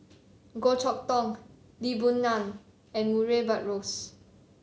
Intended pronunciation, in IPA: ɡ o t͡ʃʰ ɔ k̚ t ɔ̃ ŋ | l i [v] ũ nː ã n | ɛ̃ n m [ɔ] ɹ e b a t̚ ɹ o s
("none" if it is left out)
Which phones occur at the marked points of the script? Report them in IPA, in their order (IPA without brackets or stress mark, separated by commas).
b, u